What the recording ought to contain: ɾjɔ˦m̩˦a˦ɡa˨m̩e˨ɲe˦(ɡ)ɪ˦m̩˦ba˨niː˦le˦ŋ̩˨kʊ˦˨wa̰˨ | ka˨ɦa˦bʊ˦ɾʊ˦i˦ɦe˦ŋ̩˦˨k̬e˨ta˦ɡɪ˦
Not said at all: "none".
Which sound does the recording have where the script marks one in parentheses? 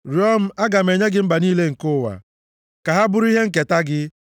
ɡ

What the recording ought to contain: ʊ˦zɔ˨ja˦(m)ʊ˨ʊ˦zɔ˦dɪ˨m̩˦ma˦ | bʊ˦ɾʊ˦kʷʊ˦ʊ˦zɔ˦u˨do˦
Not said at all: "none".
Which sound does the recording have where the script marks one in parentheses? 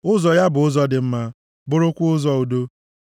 b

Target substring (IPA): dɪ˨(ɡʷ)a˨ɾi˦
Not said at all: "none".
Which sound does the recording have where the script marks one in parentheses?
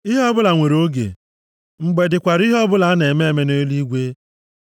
kʷ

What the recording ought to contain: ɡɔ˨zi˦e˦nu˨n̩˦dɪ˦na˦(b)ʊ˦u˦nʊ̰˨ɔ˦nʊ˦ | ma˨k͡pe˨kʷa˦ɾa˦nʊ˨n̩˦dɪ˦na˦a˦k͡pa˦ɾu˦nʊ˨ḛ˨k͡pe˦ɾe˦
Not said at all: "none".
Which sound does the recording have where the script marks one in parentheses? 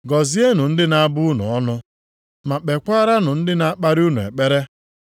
b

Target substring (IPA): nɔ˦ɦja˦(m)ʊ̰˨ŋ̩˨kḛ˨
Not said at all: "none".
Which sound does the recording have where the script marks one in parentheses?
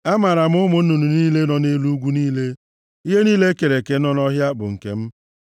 b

